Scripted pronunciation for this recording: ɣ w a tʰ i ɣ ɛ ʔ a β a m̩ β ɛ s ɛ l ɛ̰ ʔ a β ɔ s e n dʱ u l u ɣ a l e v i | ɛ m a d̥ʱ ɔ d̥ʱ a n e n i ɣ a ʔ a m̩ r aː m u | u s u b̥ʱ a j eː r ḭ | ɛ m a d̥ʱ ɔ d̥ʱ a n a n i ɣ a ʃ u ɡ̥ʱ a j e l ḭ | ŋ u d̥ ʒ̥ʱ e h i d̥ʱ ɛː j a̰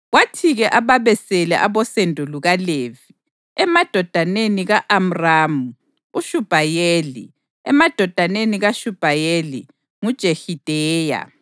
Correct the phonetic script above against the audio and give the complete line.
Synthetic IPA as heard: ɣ w a tʰ i ɣ ɛ ʔ a β a β ɛ s ɛ l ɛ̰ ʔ a β ɔ s e n dʱ u l u ɣ a l e v i | ɛ m a d̥ʱ ɔ d̥ʱ a n e n i ɣ a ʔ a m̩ r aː m u | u ʃ u b̥ʱ a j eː l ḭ | ɛ m a d̥ʱ ɔ d̥ʱ a n e n i ɣ a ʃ u b̥ʱ a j e l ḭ | ŋ u d̥ ʒ̥ʱ e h i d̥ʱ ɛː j a̰